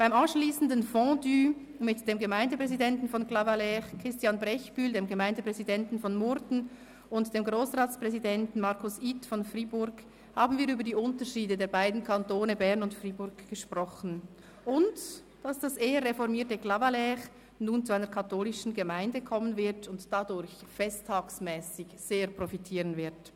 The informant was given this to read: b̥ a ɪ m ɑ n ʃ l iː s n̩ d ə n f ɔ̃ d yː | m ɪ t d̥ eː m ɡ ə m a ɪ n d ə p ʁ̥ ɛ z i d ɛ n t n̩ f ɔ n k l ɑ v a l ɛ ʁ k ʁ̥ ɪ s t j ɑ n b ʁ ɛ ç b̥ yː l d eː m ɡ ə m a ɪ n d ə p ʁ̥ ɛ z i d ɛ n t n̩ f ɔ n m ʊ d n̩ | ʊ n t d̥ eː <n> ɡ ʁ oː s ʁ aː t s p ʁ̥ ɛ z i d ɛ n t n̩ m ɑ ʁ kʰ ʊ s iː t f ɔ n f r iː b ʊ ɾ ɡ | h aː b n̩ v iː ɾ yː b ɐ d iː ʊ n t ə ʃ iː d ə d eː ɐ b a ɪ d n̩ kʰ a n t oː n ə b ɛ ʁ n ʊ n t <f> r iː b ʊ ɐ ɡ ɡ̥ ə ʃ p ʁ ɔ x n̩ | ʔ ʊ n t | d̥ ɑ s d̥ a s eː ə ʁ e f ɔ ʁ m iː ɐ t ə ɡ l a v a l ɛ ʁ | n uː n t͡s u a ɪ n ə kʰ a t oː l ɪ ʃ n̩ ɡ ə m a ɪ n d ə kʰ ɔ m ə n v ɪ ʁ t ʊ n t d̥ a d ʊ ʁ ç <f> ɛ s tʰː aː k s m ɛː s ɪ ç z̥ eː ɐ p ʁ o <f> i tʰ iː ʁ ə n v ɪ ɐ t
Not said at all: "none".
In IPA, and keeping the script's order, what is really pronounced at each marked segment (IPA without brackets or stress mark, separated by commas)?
m, f, f, f